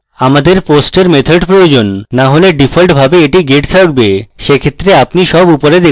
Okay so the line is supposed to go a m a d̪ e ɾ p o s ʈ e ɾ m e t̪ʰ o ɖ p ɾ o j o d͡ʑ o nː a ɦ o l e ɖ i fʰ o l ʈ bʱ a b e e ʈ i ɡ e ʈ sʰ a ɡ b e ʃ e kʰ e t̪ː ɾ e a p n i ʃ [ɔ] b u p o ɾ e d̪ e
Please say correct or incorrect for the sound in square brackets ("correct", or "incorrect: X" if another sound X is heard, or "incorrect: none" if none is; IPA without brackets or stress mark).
correct